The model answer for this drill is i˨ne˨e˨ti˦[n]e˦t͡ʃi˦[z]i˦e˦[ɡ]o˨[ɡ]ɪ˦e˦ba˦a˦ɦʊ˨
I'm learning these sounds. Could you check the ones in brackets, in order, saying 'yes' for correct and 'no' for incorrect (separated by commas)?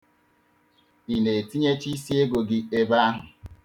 no, no, yes, yes